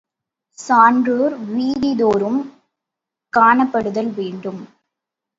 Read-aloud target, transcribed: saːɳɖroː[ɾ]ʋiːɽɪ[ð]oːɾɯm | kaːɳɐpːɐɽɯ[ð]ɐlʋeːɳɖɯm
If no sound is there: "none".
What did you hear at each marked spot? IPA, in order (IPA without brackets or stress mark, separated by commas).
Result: ɾ, ð, ð